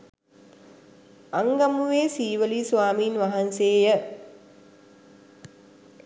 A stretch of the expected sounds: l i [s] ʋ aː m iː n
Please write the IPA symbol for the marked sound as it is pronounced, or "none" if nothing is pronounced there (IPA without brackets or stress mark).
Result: s